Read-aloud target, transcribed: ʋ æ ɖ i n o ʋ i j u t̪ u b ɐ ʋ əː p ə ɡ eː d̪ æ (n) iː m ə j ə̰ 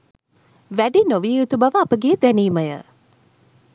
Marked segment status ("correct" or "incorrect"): correct